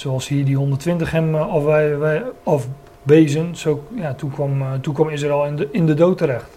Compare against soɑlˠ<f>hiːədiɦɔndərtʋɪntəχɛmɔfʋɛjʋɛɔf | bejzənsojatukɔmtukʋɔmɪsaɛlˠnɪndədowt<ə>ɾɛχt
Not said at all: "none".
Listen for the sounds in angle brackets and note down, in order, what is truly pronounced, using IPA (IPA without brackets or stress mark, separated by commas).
s, ə